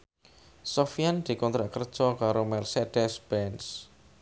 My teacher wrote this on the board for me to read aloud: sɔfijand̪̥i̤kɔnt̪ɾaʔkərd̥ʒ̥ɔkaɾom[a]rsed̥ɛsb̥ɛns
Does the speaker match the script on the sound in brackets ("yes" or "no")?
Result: no